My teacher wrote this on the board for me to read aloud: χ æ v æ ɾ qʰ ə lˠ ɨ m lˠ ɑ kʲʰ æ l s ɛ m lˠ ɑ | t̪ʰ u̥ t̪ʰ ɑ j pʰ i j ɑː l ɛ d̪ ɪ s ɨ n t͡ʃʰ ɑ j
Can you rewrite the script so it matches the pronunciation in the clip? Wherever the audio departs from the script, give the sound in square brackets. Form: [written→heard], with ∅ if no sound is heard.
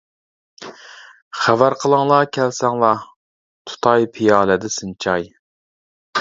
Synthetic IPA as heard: χ æ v æ ɾ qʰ ə lˠ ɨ [m→ŋ] lˠ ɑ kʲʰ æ l s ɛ [m→ŋ] lˠ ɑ | t̪ʰ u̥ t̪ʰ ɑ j pʰ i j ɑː l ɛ d̪ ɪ s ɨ n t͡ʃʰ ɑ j